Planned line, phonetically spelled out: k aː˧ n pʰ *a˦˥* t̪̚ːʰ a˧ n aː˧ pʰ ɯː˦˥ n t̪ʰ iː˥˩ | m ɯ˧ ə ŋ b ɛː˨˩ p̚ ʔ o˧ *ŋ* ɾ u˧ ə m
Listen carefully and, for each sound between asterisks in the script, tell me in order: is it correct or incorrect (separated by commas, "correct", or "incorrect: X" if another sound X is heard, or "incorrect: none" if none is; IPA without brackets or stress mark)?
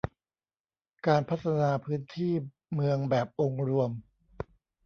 correct, correct